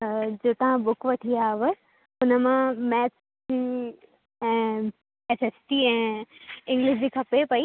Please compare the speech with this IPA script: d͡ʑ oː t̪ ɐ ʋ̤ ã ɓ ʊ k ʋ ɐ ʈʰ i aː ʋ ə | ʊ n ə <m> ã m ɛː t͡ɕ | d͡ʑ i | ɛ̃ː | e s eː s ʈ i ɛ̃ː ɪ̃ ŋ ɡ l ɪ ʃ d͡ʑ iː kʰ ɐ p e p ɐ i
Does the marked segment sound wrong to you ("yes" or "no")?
no